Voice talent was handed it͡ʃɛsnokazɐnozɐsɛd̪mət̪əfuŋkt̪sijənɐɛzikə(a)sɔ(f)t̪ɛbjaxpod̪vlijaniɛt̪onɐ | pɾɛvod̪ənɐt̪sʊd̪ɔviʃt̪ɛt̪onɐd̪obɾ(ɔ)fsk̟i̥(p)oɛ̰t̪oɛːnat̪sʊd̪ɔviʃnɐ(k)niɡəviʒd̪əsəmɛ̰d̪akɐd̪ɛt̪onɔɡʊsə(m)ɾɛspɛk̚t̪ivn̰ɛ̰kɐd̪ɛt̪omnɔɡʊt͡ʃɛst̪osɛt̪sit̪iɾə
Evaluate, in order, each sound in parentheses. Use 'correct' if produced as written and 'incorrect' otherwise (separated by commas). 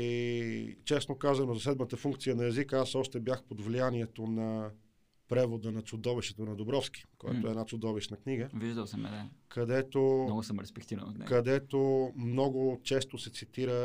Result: correct, incorrect, correct, incorrect, correct, correct